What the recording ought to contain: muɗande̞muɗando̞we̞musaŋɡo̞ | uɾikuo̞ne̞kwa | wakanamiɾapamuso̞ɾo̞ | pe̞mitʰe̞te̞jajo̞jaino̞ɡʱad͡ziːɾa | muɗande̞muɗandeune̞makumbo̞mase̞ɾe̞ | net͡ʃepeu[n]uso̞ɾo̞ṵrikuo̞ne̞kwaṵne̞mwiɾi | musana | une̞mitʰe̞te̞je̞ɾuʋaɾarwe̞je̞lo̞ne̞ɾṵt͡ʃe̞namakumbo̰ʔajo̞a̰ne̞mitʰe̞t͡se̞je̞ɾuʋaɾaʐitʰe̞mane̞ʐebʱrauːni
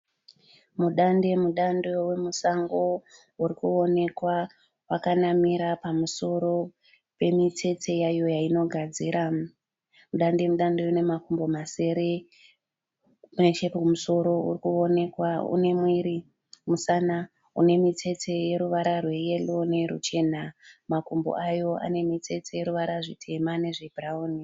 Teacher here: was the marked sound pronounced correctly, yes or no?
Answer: no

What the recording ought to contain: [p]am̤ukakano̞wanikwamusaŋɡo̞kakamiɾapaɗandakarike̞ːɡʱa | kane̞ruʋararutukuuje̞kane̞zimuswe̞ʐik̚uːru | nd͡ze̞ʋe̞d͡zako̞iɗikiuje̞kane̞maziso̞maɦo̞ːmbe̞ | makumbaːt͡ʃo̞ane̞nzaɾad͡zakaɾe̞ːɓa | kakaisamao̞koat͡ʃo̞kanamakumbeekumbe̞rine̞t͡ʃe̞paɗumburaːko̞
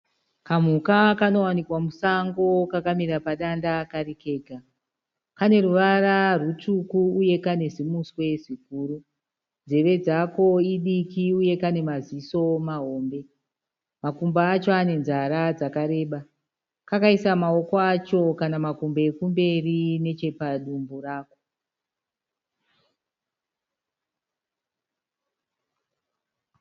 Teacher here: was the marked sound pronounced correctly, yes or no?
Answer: no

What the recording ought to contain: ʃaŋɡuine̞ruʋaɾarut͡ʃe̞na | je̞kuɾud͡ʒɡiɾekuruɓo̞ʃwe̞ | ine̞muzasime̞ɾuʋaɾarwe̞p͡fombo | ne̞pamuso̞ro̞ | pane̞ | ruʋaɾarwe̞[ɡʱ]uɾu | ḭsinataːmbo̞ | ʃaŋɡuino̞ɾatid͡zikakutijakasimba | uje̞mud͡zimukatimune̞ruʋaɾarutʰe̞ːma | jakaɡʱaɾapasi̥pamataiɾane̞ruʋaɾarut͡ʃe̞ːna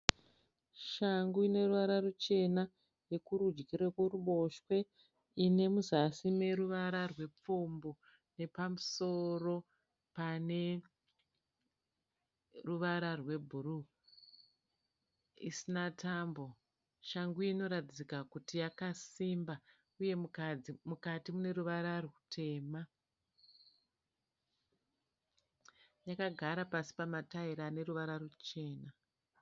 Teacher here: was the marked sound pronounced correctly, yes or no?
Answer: no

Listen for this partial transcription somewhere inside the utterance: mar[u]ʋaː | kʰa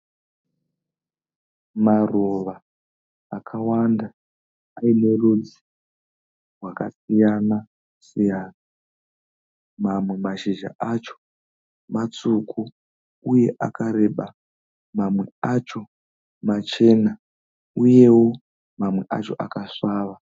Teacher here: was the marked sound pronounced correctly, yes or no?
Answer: no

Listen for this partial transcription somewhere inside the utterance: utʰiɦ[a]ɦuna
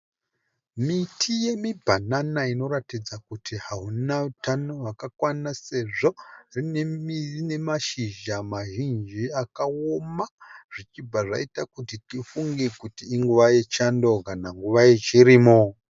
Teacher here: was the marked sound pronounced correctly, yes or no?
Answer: yes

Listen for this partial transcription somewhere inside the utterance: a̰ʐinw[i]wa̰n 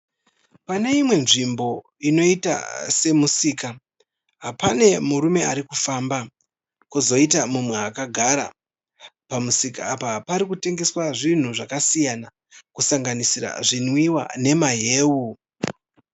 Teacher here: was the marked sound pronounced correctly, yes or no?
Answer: yes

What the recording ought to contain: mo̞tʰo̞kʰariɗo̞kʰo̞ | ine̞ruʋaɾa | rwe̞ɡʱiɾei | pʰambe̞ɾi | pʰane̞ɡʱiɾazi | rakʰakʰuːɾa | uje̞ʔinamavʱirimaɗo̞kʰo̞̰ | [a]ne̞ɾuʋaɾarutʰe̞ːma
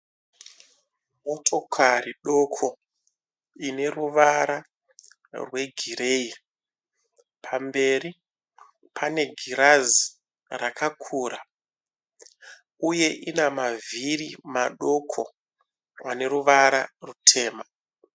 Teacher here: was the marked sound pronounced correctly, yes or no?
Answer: yes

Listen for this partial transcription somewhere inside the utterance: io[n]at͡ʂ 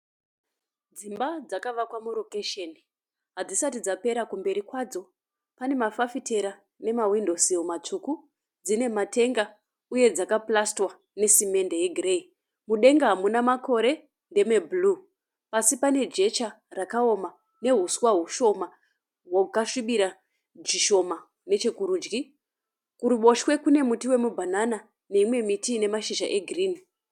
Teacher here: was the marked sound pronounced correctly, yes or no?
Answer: no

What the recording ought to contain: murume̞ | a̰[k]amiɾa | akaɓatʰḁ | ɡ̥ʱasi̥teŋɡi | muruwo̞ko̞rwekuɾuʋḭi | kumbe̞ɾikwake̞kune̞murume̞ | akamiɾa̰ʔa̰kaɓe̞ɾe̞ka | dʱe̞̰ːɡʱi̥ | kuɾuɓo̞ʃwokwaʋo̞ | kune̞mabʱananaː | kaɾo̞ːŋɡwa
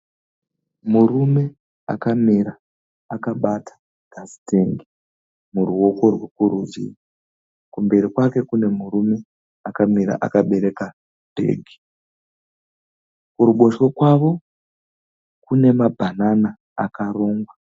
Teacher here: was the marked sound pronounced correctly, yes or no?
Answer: yes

